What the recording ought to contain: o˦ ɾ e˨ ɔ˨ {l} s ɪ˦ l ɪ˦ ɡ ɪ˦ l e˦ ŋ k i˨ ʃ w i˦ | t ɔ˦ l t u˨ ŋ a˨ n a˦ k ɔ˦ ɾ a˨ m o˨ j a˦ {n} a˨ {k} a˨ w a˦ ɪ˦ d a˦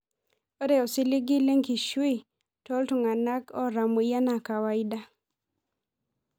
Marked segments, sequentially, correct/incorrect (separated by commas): incorrect, correct, correct